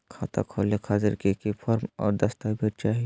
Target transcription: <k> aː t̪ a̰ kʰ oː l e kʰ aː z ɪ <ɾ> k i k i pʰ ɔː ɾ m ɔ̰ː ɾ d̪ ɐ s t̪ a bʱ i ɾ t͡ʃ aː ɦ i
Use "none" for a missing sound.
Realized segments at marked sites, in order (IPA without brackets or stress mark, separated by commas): kʰ, ɾ